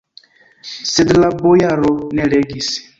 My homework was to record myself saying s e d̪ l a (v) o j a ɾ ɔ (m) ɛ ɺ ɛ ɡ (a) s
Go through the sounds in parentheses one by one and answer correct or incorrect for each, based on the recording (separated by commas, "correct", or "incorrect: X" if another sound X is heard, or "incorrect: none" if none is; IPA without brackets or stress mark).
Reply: incorrect: b, incorrect: n, incorrect: i